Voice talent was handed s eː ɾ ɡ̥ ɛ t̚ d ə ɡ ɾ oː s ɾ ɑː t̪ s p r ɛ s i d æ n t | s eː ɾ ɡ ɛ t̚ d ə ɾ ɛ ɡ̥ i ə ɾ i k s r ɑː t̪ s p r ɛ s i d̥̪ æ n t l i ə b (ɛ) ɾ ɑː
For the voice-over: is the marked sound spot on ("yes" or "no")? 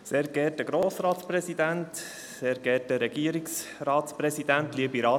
no